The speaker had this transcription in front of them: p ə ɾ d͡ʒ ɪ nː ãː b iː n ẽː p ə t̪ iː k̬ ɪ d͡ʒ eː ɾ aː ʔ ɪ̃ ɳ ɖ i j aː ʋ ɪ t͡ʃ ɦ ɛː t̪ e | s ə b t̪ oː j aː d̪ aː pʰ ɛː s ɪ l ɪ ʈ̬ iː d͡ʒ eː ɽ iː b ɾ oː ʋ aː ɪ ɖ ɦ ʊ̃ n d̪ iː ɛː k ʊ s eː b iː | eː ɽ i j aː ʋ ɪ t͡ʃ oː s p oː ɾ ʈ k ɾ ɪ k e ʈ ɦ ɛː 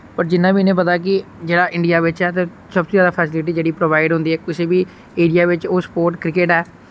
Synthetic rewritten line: p ə ɾ d͡ʒ ɪ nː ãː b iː n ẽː p ə t̪ aː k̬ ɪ d͡ʒ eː ɽ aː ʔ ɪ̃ ɳ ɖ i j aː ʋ ɪ t͡ʃ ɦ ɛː t̪ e | s ə b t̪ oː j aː d̪ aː pʰ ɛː s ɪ l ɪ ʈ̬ iː d͡ʒ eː ɽ iː p ɾ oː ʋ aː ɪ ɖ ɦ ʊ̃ n d̪ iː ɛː k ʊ s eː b iː | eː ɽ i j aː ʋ ɪ t͡ʃ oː s p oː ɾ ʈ k ɾ ɪ k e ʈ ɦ ɛː

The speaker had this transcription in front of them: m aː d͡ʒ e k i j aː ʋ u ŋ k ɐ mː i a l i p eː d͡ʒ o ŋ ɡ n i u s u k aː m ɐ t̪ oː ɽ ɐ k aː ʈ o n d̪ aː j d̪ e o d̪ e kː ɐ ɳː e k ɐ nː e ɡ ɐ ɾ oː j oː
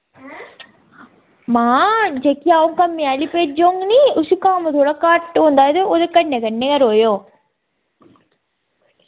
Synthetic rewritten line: m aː d͡ʒ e k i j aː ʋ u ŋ k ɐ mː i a l i p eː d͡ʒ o ŋ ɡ n i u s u k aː m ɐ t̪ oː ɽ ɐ k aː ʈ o n d̪ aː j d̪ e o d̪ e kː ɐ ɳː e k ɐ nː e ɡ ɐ ɾ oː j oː

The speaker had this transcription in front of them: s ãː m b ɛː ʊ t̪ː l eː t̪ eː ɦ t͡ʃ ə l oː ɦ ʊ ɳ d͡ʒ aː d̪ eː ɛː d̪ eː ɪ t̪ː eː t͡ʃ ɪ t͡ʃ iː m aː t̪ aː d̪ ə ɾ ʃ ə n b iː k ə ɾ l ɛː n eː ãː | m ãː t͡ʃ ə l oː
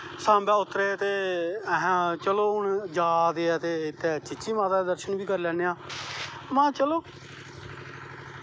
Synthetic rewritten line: s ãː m b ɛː ʊ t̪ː ɾ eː t̪ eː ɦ t͡ʃ ə l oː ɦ ʊ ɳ d͡ʒ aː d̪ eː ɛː t̪ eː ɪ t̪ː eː t͡ʃ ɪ t͡ʃ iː m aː t̪ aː d̪ ə ɾ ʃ ə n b iː k ə ɾ l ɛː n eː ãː | m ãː t͡ʃ ə l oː

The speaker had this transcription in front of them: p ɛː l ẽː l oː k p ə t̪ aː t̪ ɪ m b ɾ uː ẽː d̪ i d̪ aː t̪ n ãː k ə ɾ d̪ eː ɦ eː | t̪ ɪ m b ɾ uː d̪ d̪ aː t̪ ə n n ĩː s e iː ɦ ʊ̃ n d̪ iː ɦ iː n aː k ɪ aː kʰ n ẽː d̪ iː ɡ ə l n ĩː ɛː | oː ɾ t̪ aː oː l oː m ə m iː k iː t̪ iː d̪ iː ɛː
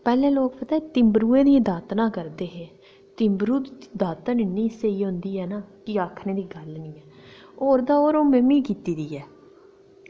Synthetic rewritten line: p ɛː l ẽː l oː k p ə t̪ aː t̪ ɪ m b ɾ uː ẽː d̪ i d̪ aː t̪ n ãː k ə ɾ d̪ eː ɦ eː | t̪ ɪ m b ɾ uː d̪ d̪ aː t̪ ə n n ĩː s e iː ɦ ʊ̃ n d̪ iː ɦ ɛː n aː k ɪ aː kʰ n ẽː d̪ iː ɡ ə l n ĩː ɛː | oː ɾ d̪ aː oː ɾ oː m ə m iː k iː t̪ iː d̪ iː ɛː

